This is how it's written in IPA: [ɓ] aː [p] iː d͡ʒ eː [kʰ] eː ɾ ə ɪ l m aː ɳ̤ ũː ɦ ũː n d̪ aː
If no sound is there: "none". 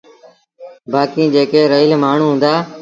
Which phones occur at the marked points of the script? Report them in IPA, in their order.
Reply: b, k, k

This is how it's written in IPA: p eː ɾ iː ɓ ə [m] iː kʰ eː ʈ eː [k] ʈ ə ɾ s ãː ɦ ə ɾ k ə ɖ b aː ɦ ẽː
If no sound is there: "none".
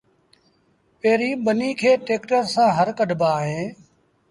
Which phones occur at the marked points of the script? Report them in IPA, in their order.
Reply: n, k

